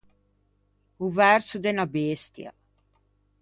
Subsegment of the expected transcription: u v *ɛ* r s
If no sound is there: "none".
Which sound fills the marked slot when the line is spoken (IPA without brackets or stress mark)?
ɛ